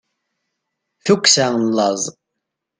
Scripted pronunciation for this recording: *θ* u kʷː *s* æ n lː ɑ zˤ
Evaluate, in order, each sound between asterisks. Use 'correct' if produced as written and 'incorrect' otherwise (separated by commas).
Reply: correct, correct